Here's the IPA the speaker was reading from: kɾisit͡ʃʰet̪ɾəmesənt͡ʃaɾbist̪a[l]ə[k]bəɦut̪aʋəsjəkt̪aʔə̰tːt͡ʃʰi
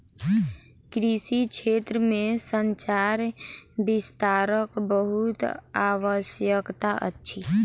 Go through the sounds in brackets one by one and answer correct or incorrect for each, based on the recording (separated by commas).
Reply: incorrect, correct